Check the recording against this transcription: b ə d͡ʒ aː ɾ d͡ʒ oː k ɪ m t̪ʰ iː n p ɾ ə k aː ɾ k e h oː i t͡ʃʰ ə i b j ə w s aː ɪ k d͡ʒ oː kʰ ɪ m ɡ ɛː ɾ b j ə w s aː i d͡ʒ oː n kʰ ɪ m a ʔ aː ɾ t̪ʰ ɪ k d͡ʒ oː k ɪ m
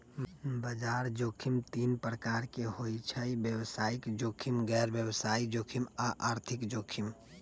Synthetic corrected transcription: b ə d͡ʒ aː ɾ d͡ʒ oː kʰ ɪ m t̪ iː n p ɾ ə k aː ɾ k e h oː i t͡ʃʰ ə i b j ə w s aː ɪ k d͡ʒ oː kʰ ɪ m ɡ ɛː ɾ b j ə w s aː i d͡ʒ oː kʰ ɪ m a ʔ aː ɾ t̪ʰ ɪ k d͡ʒ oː kʰ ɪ m